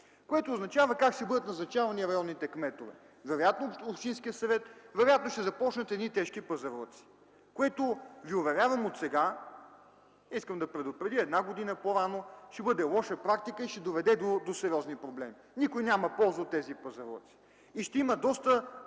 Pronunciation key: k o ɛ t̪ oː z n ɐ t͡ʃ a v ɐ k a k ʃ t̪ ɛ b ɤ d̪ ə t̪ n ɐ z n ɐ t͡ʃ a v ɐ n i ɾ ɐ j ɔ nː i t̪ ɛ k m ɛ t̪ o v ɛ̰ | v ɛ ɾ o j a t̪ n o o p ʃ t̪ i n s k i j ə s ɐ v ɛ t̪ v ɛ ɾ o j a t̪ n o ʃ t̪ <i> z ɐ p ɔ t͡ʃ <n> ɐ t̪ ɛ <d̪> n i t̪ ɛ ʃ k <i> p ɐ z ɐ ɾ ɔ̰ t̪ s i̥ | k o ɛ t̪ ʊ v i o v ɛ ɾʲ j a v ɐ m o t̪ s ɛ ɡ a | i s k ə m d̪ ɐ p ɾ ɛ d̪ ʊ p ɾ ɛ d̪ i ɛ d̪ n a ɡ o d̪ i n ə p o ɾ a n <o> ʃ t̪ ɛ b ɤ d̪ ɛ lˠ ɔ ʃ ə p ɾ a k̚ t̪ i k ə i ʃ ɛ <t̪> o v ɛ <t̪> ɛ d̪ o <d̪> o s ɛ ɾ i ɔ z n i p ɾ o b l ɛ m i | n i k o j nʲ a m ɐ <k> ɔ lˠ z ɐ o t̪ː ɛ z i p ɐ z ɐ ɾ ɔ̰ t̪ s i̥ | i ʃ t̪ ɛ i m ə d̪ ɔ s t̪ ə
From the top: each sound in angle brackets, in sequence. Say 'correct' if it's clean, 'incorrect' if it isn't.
incorrect: ɛ, correct, correct, correct, correct, incorrect: d̪, incorrect: d̪, correct, incorrect: p

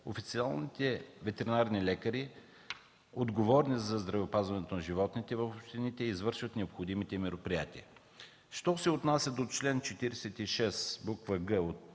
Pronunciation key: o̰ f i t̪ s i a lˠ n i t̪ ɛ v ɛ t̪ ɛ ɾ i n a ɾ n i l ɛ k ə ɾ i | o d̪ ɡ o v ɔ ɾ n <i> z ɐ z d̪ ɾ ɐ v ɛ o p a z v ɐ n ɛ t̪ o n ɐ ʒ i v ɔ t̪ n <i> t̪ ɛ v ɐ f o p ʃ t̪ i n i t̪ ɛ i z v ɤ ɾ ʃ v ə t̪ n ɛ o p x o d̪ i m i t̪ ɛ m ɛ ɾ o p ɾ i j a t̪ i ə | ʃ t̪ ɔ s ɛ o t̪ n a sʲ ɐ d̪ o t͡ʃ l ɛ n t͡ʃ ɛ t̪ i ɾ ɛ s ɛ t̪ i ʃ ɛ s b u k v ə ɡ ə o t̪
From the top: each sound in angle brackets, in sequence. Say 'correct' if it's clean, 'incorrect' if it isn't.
correct, correct

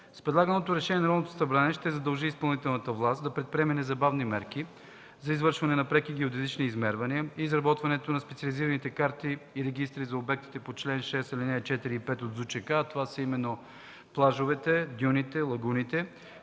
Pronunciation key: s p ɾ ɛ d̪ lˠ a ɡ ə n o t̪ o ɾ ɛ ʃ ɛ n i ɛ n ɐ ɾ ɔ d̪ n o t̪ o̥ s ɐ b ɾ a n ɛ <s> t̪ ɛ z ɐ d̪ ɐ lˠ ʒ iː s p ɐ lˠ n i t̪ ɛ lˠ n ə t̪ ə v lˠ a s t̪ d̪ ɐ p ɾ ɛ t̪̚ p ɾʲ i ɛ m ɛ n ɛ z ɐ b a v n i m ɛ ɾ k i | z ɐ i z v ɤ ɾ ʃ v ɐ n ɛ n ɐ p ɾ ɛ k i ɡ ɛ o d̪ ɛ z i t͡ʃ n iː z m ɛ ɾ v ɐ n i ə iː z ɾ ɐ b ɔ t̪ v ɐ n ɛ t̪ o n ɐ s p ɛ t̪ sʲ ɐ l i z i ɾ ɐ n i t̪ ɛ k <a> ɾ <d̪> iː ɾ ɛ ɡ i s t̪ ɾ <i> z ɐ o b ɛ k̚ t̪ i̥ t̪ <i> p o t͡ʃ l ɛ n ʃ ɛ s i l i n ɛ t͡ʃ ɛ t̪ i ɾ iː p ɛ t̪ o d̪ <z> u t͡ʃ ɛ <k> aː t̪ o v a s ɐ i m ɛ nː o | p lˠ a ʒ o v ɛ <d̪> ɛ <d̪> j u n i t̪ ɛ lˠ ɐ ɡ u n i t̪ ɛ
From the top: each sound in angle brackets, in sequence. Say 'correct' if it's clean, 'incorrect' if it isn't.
incorrect: ʃ, correct, incorrect: t̪, correct, incorrect: ɛ, correct, correct, incorrect: t̪, correct

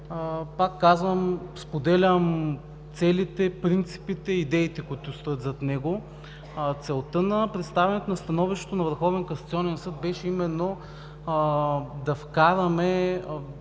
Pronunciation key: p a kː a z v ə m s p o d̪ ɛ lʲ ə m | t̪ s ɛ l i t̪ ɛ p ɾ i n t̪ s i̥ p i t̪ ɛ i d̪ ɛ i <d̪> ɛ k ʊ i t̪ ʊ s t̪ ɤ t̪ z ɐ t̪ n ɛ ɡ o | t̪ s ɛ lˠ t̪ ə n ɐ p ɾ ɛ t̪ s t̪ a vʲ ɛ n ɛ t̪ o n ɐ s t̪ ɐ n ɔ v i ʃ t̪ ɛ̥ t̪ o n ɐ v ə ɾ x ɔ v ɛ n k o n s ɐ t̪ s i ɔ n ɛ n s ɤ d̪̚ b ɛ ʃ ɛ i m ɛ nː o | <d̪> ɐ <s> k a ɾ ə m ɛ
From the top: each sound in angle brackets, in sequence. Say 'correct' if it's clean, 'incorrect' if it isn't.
incorrect: t̪, correct, incorrect: f

